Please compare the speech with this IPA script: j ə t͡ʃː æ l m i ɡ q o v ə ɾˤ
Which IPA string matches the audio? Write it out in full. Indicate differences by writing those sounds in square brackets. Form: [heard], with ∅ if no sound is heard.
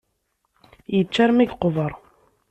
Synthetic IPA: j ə t͡ʃː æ [ɾ] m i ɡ q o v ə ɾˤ